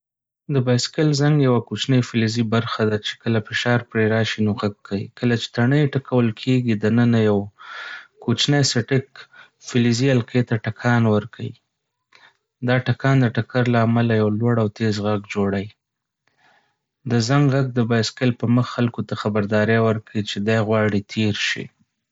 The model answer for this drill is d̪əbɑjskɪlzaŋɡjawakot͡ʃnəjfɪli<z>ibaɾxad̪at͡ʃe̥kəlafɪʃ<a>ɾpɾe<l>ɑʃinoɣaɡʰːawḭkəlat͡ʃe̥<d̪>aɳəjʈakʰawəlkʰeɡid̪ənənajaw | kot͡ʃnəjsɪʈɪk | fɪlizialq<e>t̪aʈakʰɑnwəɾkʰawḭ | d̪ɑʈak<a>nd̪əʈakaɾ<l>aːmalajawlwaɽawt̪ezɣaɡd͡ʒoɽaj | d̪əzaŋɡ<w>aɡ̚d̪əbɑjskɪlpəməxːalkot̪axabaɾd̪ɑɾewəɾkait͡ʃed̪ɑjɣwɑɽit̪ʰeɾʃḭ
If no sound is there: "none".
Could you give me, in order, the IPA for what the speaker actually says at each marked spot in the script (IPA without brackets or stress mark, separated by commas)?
z, ɑ, ɾ, t̪, e, ɑ, l, ɣ